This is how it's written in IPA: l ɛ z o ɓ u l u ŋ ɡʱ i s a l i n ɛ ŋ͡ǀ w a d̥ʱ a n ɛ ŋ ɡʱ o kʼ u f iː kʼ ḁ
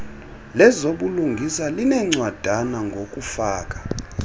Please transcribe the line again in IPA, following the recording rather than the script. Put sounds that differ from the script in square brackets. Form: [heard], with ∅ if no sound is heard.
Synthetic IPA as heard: l ɛ z o ɓ u l u ŋ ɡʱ i s a l i n ɛ ŋ͡ǀ w a d̥ʱ a n [a] ŋ ɡʱ o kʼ u f [aː] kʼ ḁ